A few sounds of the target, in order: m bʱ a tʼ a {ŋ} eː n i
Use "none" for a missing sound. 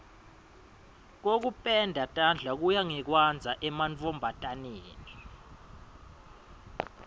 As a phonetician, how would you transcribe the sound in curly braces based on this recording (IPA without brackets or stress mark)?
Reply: n